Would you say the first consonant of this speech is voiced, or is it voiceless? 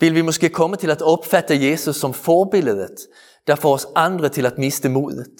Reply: voiced